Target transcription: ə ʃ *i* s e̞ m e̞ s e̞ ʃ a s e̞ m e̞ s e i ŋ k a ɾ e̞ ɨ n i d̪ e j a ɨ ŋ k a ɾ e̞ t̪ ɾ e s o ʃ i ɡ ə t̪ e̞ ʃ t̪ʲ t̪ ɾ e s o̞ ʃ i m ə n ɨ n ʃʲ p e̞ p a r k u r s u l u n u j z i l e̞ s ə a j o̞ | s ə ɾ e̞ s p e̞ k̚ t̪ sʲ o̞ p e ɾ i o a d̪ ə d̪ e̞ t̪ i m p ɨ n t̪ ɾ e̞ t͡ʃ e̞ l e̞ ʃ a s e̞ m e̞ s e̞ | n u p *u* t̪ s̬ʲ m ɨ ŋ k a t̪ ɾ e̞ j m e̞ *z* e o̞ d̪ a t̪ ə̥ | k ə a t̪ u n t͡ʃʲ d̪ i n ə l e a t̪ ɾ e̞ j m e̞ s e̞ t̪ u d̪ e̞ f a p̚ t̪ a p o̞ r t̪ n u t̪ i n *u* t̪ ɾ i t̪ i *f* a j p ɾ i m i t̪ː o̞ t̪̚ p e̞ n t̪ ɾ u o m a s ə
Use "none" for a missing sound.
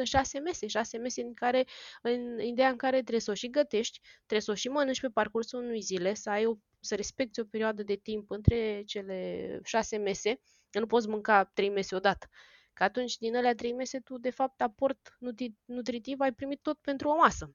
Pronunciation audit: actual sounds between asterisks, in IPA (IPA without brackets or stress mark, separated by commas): a, o, s, u, v